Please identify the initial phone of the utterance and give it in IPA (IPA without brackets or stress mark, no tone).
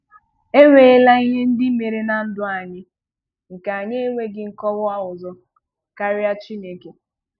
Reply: e